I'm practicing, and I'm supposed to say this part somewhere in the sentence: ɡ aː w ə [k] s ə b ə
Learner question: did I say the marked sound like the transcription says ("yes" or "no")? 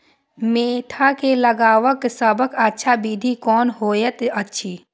yes